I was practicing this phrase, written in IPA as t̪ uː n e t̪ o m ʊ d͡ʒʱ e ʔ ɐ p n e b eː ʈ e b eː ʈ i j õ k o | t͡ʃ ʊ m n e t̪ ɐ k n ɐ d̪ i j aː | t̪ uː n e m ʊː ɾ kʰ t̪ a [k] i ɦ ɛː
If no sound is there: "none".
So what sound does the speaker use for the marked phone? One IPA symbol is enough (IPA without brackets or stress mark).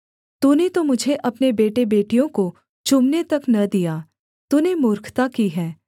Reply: k